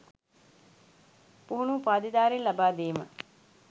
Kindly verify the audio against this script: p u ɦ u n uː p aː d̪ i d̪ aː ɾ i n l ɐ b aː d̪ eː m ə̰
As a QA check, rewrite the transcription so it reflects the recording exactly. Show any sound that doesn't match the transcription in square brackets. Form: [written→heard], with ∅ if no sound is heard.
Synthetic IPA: p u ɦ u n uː p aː d̪ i d̪ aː ɾ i n l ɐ b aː d̪ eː m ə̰